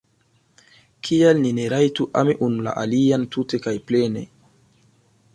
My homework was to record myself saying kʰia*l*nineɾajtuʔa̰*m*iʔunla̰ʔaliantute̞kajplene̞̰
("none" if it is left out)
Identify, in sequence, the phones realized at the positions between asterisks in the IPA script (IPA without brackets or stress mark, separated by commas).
l, m